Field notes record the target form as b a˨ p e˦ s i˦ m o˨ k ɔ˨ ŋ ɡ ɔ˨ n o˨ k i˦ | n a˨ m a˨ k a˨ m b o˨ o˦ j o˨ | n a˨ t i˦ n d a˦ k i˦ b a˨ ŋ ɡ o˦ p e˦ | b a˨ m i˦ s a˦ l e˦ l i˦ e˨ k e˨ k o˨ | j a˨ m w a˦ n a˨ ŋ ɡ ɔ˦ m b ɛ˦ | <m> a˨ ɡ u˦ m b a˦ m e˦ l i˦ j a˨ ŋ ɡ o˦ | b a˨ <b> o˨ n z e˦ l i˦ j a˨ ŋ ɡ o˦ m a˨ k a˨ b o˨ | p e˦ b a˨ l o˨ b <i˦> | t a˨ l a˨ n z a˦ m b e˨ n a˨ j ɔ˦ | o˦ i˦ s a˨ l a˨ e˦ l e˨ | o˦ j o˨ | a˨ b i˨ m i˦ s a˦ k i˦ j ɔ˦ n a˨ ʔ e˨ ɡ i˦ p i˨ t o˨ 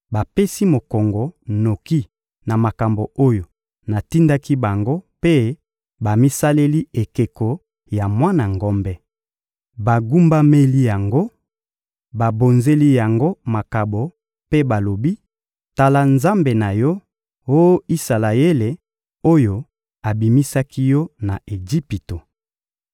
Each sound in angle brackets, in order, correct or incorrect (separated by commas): incorrect, correct, correct